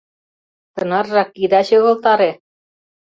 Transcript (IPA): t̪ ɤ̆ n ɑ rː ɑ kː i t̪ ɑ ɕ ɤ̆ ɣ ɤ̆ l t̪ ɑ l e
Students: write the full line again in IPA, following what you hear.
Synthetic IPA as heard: t̪ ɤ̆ n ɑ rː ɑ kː i d̪ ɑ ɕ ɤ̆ ɣ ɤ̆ l t̪ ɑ ɾ e